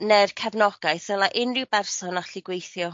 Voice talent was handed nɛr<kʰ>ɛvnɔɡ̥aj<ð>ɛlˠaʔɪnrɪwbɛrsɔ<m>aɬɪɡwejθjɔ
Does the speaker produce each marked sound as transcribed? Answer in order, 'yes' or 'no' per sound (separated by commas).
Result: yes, no, no